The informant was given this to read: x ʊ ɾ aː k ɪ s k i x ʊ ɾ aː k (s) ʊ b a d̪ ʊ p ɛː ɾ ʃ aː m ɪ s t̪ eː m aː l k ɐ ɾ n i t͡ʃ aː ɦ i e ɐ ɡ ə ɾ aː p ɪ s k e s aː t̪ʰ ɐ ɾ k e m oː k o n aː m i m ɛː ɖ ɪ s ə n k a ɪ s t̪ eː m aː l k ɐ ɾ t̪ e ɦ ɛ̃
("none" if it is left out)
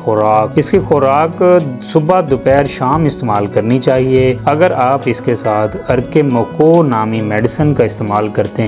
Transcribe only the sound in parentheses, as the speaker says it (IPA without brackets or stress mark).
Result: s